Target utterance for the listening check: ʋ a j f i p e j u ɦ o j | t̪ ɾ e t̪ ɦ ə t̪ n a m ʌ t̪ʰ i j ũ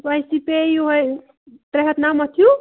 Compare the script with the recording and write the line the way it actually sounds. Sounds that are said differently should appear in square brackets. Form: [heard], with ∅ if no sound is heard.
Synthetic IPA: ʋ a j [s] i p e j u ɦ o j | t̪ ɾ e [∅] ɦ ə t̪ n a m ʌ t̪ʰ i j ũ